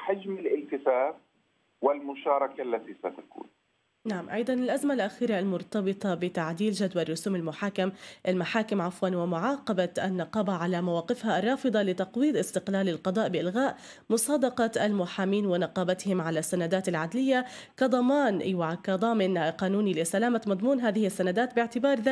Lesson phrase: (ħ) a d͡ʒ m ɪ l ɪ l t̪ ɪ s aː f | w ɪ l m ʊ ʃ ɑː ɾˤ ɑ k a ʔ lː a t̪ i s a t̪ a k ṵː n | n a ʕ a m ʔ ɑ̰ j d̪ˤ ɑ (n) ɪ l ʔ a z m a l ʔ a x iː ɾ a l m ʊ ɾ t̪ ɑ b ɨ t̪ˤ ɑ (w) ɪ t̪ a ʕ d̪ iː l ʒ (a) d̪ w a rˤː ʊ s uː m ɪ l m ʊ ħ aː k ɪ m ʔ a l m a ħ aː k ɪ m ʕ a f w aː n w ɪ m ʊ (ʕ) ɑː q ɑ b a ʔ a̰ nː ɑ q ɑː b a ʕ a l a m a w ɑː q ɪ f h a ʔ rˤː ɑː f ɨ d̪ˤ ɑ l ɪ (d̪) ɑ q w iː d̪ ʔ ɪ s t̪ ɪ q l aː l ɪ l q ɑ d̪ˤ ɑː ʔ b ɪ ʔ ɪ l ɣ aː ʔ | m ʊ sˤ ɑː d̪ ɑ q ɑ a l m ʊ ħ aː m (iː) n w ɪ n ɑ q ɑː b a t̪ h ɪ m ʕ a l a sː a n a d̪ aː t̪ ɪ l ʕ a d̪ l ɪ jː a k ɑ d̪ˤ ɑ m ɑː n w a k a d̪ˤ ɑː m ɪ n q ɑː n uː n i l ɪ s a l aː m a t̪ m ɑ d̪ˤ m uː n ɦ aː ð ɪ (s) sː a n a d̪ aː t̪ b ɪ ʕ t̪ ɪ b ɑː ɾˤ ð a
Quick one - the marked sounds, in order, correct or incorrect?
correct, correct, incorrect: b, correct, correct, incorrect: t̪, correct, incorrect: h

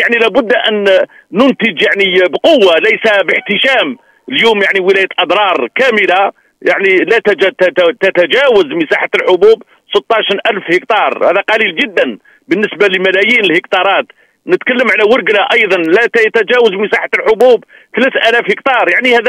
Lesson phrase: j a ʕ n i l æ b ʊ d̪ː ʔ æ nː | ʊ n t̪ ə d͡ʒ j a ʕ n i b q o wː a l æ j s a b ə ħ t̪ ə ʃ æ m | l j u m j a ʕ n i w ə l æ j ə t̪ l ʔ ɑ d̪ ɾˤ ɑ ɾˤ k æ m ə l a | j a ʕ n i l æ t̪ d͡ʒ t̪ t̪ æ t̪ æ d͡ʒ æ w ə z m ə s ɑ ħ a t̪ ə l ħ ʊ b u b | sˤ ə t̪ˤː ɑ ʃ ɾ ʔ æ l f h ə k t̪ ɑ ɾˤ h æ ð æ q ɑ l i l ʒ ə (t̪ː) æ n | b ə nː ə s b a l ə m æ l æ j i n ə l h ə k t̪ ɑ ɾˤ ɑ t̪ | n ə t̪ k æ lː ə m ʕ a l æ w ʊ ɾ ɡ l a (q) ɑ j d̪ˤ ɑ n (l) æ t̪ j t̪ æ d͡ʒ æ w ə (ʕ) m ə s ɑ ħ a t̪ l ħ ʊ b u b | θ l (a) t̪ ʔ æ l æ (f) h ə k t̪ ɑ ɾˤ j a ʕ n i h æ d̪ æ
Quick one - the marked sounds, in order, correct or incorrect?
incorrect: d̪ː, incorrect: ʔ, correct, incorrect: z, incorrect: æ, correct

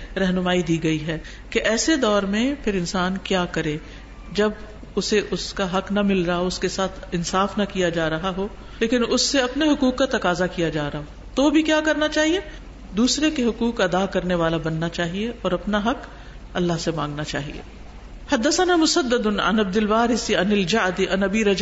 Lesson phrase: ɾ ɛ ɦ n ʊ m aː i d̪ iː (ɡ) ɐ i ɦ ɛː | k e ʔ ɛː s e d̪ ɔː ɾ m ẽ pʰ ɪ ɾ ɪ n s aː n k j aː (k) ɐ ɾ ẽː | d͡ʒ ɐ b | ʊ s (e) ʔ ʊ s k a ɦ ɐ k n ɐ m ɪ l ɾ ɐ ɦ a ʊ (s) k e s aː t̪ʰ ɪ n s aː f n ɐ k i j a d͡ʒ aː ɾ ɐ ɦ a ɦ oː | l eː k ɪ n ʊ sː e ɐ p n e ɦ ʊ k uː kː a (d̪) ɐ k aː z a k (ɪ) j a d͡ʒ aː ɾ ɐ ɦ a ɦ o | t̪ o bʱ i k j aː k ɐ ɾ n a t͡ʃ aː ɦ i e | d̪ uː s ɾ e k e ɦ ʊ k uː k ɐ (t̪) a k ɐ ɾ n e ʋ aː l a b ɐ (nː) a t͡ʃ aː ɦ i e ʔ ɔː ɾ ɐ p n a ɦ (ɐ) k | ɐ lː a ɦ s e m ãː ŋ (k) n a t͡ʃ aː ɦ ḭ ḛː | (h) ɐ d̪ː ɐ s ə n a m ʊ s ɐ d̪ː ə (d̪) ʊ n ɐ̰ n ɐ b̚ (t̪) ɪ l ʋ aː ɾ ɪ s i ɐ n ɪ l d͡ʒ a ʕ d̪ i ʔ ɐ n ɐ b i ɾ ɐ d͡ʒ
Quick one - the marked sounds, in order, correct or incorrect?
correct, correct, correct, correct, incorrect: t̪, incorrect: i, incorrect: d̪, correct, correct, incorrect: ɡ, correct, correct, incorrect: d̪

